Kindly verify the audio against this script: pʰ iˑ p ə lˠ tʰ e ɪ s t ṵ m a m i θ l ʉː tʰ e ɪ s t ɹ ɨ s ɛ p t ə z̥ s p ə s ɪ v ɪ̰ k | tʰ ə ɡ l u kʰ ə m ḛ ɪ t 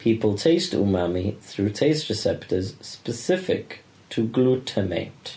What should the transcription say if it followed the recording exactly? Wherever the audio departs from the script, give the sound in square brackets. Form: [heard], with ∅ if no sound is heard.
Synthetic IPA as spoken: pʰ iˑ p ə lˠ tʰ e ɪ s t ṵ m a m i θ [ɹ] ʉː tʰ e ɪ s t ɹ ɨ s ɛ p t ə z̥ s p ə s ɪ [f] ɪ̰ k | tʰ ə ɡ l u [tʰ] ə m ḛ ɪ t